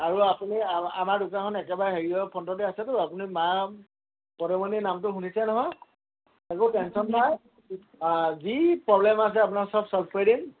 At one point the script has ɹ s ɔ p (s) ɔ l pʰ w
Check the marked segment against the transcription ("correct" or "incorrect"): correct